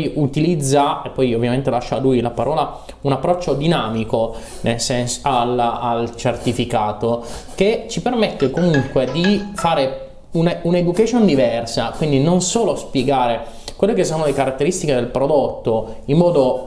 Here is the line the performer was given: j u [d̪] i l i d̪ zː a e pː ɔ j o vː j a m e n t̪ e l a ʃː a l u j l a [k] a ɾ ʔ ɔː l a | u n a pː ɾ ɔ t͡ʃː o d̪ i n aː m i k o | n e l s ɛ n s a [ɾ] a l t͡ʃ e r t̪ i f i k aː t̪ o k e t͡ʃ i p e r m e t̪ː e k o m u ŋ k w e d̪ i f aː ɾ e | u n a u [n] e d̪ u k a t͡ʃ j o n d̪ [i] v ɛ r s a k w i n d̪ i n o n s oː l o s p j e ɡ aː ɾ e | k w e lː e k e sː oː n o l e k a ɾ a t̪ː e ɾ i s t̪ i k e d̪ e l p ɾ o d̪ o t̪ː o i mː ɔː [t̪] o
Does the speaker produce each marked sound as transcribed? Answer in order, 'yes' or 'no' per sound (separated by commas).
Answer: no, no, no, yes, yes, no